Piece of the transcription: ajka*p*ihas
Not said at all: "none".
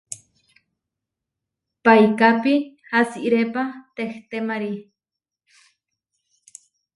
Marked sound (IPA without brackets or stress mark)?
p